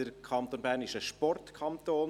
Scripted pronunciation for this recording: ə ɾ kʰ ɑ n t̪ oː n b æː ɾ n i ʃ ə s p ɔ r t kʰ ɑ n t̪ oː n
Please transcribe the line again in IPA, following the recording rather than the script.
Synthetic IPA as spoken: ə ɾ kʰ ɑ n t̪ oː n b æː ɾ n ɪ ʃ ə ʃ p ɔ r t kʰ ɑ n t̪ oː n